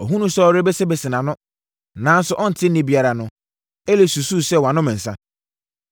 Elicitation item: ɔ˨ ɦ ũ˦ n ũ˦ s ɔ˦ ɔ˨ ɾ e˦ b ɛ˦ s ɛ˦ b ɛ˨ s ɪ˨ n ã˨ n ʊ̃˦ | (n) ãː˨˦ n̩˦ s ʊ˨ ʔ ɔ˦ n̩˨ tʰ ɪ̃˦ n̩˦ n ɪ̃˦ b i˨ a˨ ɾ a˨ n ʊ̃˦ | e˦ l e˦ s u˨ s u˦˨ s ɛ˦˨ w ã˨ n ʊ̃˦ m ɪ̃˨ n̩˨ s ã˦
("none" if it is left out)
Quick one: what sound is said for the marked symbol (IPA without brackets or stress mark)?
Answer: n